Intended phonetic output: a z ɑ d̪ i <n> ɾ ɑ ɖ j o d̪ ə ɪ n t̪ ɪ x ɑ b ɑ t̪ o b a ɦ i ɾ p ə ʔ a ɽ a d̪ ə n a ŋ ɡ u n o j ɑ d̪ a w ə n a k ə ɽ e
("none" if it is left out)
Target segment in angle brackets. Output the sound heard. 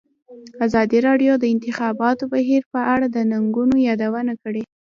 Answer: none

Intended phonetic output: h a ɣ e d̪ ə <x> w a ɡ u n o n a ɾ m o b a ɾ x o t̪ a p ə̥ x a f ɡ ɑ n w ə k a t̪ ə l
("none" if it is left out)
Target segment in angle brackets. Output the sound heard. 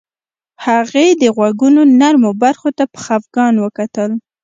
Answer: ɣ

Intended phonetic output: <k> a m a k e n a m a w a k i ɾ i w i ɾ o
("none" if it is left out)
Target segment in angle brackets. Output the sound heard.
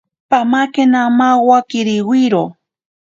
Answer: p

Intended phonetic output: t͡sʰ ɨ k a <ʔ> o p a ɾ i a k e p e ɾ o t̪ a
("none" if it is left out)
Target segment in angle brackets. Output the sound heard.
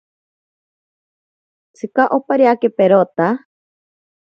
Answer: ʔ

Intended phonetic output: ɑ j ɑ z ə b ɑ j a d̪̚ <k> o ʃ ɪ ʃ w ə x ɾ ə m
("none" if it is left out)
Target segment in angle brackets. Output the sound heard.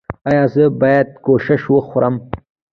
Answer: k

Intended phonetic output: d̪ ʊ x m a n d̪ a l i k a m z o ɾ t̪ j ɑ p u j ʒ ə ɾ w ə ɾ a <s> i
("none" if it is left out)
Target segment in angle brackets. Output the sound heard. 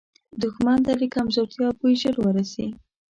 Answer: s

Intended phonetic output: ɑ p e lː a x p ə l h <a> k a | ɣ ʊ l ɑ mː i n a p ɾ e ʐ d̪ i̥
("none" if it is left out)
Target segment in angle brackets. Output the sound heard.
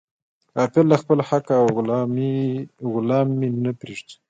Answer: a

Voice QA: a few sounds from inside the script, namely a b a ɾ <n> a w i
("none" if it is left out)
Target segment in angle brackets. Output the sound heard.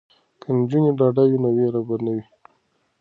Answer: n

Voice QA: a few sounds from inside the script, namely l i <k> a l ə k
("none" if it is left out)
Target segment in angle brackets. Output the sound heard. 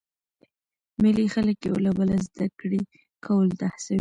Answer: x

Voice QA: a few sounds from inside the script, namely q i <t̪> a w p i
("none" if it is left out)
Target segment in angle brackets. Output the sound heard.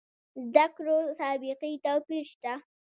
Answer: t̪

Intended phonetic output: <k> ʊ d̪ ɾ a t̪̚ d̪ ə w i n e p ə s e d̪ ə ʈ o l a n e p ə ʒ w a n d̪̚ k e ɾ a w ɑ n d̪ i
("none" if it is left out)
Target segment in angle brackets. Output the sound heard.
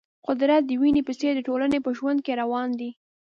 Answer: q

